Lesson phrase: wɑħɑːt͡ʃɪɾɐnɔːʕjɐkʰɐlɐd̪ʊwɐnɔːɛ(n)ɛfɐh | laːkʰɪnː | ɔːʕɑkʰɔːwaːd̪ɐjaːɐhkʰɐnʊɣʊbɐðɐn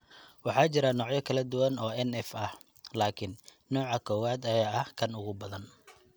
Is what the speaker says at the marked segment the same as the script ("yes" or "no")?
yes